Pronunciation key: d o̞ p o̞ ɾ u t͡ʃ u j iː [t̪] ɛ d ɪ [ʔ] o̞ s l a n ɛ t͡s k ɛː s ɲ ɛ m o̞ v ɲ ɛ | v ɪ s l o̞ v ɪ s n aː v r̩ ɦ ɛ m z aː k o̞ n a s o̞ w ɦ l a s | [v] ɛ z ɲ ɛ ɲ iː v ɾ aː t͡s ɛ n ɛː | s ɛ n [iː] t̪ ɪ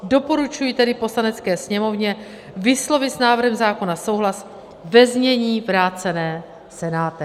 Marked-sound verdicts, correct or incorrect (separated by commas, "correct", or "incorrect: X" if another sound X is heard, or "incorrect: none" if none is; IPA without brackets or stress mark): correct, incorrect: p, correct, incorrect: aː